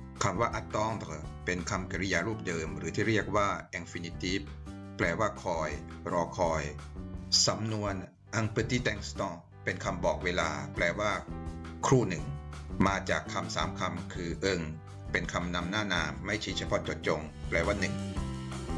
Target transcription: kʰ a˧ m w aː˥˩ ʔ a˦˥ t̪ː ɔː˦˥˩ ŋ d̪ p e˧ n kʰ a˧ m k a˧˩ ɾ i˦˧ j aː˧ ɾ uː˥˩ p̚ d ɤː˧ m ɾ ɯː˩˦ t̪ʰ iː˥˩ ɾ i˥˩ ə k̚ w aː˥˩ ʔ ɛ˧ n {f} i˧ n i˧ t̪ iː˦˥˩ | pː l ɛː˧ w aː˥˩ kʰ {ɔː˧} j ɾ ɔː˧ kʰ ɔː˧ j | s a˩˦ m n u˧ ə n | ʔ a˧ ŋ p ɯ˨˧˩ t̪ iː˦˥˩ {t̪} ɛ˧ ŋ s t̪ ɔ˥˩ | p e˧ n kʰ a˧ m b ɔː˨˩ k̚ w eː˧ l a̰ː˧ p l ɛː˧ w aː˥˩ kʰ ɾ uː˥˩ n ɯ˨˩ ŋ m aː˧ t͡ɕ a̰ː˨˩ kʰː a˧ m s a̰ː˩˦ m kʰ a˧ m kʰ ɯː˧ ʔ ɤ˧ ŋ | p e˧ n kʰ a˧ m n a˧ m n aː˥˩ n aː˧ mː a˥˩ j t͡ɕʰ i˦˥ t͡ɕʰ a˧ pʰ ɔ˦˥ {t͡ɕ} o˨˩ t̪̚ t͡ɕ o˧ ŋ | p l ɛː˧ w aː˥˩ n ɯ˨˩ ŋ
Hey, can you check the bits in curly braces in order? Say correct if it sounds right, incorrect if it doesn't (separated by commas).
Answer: correct, correct, correct, correct